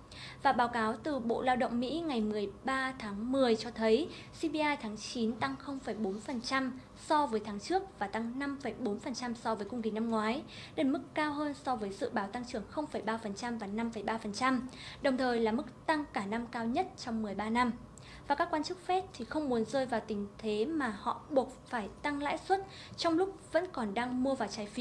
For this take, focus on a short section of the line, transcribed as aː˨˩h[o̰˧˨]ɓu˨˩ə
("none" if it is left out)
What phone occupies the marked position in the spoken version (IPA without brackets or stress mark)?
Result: ɔ̰˧˨